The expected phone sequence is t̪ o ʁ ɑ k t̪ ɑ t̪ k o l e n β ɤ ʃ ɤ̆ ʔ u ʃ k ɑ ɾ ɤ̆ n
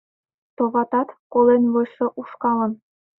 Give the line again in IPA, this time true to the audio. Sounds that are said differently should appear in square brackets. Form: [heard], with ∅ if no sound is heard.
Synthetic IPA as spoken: t̪ o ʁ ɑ [∅] t̪ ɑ t̪ k o l e n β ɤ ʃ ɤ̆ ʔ u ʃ k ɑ [l] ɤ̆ n